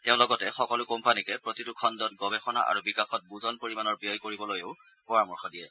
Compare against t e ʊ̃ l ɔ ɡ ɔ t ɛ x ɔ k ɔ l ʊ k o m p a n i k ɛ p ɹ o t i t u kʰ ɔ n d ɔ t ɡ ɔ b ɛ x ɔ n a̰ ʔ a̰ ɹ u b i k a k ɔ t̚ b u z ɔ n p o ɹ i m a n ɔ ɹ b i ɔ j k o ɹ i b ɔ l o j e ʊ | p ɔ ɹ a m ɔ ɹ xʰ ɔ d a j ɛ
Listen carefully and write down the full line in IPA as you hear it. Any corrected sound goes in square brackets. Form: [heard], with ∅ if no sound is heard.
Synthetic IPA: t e ʊ̃ l ɔ ɡ ɔ t ɛ x ɔ k ɔ l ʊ k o m p a n i k ɛ p ɹ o t i t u kʰ ɔ n d ɔ t ɡ ɔ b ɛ x ɔ n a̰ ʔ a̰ ɹ u b i k a [x] ɔ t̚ b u z ɔ n p o ɹ i m a n ɔ ɹ b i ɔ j k o ɹ i b ɔ l o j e ʊ | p ɔ ɹ a m ɔ ɹ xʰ ɔ d [i] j ɛ